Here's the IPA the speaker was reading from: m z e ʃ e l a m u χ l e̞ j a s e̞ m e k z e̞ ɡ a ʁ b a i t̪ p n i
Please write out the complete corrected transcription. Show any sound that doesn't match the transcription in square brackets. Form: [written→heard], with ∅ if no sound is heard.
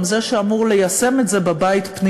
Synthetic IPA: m z e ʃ e [l→∅] a m u [χ→ʁ] l e̞ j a s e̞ m e [k→t] z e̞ [ɡ→b] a [ʁ→∅] b a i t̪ p n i